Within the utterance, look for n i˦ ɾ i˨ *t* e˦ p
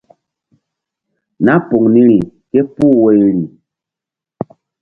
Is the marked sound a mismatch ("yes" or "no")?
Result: yes